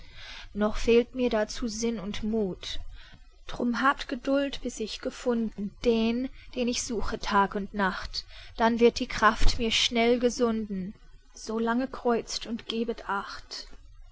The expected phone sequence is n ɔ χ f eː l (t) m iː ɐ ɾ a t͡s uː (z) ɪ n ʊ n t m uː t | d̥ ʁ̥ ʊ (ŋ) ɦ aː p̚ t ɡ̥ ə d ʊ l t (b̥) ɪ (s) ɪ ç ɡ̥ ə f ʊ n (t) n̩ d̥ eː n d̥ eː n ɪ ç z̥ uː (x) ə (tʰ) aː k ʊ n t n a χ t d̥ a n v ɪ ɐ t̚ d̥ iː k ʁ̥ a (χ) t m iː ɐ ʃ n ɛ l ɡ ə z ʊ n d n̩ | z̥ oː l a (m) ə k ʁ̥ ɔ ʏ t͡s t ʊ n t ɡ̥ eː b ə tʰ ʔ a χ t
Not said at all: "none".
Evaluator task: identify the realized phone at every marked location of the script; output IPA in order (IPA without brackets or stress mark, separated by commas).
t, z, m, b̥, s, d, x, tʰ, f, ŋ